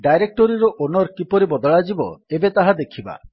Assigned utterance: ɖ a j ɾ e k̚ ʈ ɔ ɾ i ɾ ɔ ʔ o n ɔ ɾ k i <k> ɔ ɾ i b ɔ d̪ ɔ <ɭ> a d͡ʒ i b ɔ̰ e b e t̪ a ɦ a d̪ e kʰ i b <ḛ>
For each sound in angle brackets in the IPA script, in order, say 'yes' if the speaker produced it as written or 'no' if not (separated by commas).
no, yes, no